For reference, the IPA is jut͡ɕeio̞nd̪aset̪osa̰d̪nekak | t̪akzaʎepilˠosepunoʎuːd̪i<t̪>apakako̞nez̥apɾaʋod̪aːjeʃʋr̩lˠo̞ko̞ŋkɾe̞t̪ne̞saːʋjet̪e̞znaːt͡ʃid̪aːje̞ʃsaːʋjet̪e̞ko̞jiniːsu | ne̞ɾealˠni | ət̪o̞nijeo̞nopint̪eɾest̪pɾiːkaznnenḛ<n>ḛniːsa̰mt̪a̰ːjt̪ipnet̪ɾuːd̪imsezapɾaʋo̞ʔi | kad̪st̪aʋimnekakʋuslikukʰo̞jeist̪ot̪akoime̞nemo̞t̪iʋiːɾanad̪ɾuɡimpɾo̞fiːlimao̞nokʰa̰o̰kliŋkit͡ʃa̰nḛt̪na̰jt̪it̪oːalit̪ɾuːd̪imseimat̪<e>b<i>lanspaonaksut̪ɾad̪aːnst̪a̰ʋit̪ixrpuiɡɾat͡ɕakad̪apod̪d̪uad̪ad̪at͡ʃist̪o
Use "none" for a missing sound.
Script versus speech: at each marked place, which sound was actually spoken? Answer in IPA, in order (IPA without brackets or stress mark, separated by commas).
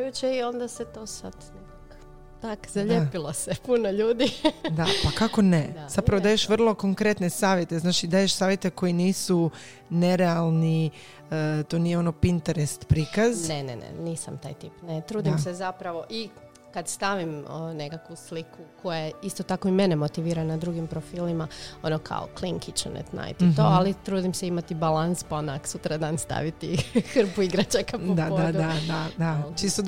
d̪, n, i, a